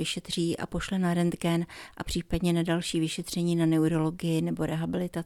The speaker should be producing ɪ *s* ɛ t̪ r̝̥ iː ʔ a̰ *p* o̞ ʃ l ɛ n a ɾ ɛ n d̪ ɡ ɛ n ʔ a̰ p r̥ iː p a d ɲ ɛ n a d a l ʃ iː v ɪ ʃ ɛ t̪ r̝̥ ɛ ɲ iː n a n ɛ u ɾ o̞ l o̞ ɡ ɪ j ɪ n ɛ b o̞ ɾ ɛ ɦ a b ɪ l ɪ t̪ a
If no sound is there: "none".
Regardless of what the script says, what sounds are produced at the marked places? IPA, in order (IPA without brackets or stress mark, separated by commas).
ʃ, p